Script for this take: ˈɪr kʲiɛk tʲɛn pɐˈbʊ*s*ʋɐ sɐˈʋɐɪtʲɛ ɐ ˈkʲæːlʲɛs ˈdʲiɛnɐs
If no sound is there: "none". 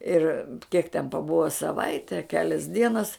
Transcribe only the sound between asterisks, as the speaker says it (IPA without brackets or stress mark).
none